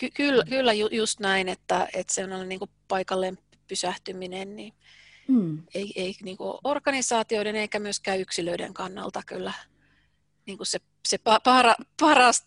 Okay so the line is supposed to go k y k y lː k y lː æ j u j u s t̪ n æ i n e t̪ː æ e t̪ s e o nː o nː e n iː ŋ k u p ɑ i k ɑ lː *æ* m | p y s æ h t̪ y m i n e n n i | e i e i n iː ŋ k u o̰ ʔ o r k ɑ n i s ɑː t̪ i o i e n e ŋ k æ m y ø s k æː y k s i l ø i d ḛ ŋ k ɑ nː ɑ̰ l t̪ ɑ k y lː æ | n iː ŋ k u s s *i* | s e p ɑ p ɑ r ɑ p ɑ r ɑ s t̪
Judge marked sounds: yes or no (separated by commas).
no, no